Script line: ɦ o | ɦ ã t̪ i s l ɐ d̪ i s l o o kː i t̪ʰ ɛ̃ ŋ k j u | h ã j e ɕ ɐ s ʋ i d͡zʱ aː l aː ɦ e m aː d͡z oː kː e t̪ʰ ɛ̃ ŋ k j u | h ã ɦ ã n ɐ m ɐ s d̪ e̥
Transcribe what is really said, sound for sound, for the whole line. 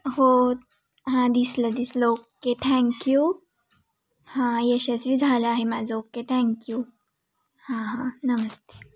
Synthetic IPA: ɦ o | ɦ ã d̪ i s l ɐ d̪ i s l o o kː e t̪ʰ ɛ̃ ŋ k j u | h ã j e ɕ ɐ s ʋ i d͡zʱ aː l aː ɦ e m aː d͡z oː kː e t̪ʰ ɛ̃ ŋ k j u | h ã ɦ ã n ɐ m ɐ s t̪ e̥